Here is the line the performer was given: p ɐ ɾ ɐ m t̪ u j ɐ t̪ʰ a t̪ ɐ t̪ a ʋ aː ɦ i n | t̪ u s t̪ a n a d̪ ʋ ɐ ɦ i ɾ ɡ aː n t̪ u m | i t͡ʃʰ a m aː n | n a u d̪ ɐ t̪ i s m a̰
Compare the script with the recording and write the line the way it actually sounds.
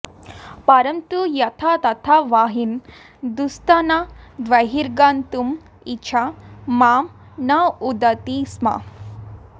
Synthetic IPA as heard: p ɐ ɾ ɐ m t̪ u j ɐ t̪ʰ a t̪ ɐ t̪ʰ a ʋ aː ɦ i n | d̪ u s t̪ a n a d̪ ʋ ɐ ɦ i ɾ ɡ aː n t̪ u m | i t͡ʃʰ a m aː m | n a u d̪ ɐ t̪ i s m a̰